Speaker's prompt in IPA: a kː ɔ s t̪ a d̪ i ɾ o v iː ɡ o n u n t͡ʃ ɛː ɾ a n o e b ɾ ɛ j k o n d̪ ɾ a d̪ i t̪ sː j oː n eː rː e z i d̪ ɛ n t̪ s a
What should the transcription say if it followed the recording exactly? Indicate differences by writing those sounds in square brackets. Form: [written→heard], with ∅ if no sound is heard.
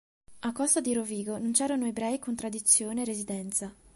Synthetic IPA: a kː ɔ s t̪ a d̪ i ɾ o v iː ɡ o n [u→o] n t͡ʃ ɛː ɾ a n o e b ɾ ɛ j k o n [d̪→t̪] ɾ a d̪ i t̪ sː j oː n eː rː e z i d̪ ɛ n t̪ s a